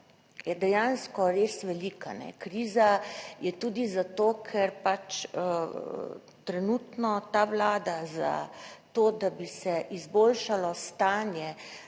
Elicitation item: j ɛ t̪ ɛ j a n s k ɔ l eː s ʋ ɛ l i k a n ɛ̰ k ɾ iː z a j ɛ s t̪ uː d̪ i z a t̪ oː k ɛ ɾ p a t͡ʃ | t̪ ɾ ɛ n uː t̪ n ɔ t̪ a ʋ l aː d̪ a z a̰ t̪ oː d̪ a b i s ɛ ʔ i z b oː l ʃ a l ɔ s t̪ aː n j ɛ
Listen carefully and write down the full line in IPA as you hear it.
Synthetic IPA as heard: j ɛ d̪ ɛ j a n s k ɔ ɾ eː s ʋ ɛ l i k a n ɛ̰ k ɾ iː z a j ɛ t̪ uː d̪ i z a t̪ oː kʰ ɛ ɾ p a t͡ʃ | t̪ ɾ ɛ n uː t̪ n ɔ t̪ a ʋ l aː d̪ a z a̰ t̪ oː d̪ a b i s ɛ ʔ i z b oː l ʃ a l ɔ s t̪ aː n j ɛ